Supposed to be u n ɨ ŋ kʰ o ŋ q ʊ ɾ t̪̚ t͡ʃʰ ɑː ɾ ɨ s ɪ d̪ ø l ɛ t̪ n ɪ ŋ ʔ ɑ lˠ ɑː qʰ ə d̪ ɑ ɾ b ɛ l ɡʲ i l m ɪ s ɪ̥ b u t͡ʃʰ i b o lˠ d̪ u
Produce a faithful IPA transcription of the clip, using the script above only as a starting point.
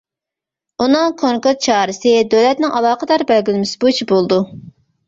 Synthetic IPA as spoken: u n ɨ ŋ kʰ o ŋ k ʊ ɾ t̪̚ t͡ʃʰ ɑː ɾ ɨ s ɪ d̪ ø l ɛ t̪ n ɪ ŋ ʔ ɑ lˠ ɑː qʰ ə d̪ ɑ ɾ b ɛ l ɡʲ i l m ɪ s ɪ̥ b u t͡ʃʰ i b o lˠ d̪ u